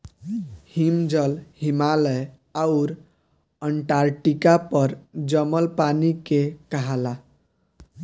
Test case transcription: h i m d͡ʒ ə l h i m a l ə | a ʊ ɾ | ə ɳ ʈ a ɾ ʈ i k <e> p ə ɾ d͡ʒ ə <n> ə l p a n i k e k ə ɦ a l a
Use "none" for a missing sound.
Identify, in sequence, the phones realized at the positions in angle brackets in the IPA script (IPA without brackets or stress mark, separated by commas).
a, m